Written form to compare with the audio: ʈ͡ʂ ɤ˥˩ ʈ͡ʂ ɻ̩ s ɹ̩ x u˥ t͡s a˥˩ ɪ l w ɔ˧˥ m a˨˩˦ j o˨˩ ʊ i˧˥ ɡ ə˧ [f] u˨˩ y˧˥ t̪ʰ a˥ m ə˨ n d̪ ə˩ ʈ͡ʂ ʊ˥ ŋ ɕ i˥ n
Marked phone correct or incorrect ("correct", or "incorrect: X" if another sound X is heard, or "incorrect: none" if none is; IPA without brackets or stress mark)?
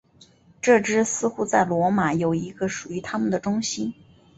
incorrect: ʂ